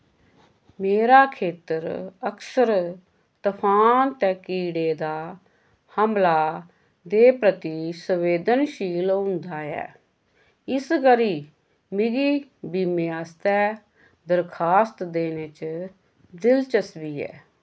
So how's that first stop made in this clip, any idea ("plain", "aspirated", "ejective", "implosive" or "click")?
aspirated